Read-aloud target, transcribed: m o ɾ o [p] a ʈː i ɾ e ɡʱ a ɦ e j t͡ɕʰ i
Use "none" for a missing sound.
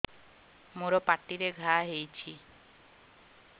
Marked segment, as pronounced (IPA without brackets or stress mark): p